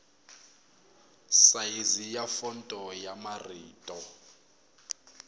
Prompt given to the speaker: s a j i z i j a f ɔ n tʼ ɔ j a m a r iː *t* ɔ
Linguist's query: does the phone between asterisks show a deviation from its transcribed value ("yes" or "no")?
yes